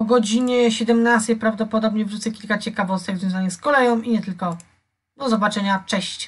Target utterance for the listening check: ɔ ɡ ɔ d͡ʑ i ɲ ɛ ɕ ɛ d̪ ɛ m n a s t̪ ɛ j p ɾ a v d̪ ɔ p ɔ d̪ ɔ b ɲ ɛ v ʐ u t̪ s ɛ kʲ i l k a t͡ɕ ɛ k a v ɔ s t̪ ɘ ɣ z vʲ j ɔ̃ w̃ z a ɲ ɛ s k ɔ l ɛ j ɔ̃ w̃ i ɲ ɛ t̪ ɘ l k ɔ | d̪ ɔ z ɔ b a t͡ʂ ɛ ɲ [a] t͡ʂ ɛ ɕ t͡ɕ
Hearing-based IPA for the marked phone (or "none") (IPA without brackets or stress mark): a